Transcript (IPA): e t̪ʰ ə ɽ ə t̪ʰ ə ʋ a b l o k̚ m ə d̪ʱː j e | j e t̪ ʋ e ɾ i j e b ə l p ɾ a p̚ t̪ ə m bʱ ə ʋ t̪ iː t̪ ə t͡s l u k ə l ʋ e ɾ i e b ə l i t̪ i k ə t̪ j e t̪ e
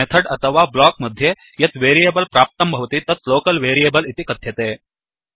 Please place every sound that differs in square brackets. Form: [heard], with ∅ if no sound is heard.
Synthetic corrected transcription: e t̪ʰ ə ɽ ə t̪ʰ ə ʋ a b l [ɔ] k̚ m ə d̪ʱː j e | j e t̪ ʋ e ɾ i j e b ə l p ɾ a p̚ t̪ ə m bʱ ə ʋ t̪ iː t̪ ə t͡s l [o] k ə l ʋ e ɾ i e b ə l i t̪ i k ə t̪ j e t̪ e